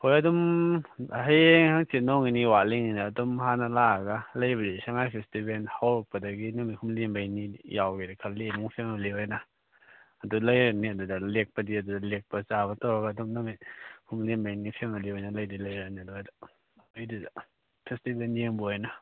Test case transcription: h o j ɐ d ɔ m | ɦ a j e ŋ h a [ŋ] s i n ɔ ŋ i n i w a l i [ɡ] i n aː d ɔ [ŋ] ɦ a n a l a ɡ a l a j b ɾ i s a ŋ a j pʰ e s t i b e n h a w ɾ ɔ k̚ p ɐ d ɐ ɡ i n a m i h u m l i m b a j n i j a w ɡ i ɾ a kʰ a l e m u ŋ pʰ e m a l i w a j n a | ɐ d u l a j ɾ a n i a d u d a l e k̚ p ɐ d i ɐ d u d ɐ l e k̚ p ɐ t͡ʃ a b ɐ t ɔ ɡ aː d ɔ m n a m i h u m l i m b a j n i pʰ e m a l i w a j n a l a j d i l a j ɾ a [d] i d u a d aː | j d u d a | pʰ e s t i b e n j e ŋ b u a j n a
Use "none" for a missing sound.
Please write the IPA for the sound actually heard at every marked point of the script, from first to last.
ŋ, ŋ, m, n

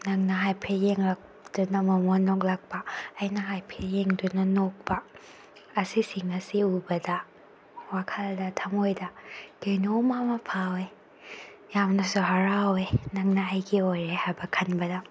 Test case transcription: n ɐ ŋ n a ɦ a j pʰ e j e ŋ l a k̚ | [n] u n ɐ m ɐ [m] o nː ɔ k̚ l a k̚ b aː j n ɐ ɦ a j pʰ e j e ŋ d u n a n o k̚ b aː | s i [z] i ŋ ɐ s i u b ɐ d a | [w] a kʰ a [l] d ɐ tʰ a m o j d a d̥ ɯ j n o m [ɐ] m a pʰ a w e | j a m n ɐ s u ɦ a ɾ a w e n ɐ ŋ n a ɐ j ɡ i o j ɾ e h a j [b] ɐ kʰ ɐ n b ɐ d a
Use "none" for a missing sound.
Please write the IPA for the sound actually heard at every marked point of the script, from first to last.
d, m, s, w, l, a, b

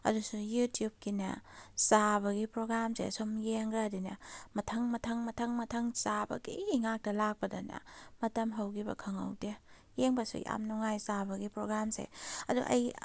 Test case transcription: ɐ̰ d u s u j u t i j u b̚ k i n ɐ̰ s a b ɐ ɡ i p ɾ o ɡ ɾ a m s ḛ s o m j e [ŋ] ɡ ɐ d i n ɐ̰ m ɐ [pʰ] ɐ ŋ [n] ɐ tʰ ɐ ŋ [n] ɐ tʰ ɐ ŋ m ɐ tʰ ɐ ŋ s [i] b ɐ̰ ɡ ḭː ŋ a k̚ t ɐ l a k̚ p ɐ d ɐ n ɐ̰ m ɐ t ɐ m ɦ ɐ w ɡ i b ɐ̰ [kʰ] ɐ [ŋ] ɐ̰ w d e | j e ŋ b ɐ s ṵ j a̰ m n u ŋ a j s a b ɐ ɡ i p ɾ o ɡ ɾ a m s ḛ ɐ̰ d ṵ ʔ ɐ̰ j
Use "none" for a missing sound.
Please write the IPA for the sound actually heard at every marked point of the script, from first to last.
ŋ, tʰ, m, m, a, kʰ, ŋ

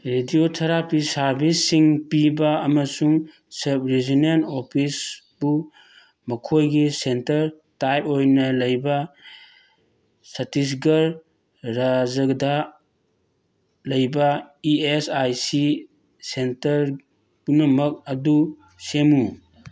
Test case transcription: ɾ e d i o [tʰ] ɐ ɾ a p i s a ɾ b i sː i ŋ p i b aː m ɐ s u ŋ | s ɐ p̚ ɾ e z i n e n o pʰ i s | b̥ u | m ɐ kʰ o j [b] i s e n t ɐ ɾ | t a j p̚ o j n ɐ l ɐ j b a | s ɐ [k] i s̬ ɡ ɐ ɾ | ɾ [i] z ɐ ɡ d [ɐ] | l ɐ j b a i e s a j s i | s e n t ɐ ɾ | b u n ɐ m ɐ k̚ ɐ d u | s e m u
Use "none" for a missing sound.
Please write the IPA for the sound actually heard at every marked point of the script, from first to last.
tʰ, ɡ, t, a, a

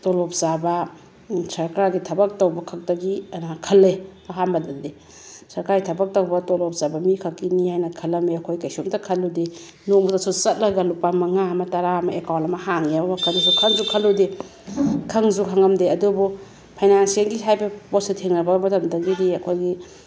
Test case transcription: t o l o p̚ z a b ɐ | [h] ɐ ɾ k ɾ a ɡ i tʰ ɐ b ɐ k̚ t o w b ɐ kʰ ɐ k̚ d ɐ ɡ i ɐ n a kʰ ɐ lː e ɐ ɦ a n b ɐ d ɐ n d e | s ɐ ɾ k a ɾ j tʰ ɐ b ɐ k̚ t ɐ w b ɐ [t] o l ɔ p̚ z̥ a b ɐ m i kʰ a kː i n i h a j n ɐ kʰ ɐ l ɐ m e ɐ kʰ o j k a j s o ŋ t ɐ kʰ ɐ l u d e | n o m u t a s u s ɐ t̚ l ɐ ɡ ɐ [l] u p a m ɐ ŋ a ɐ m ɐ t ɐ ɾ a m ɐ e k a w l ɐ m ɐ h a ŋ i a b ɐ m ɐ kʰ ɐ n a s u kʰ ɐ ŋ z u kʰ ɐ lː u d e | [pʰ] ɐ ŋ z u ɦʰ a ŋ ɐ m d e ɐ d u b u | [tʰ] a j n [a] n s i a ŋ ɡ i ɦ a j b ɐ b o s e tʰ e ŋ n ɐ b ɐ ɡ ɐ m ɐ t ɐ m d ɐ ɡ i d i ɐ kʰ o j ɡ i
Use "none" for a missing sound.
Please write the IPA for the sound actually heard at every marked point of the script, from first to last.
s, t, l, kʰ, pʰ, a

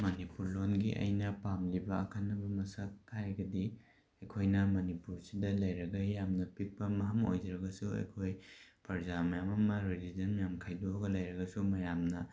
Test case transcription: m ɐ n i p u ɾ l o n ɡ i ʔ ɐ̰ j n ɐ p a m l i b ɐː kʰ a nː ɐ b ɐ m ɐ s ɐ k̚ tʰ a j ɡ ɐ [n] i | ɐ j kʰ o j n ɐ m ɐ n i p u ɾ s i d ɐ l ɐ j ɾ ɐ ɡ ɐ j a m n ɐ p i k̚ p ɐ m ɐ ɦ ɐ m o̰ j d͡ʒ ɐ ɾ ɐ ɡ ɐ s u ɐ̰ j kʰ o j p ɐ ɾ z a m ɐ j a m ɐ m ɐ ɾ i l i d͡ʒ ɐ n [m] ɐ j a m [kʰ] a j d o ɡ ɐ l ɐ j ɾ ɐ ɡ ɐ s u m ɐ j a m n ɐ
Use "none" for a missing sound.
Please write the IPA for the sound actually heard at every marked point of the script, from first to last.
d, m, kʰ

